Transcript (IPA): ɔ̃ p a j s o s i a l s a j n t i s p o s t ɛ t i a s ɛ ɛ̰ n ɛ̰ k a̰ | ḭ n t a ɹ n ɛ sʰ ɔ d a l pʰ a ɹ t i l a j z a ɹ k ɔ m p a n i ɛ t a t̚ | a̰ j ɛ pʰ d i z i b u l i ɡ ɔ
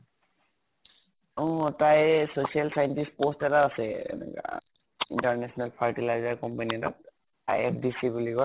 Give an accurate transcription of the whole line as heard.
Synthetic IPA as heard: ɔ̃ t a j s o s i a l s a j n t i s p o s t ɛ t a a s ɛ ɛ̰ n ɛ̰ k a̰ | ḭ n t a ɹ n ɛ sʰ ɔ n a l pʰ a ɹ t i l a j z a ɹ k ɔ m p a n i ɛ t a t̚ | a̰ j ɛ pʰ d i s i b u l i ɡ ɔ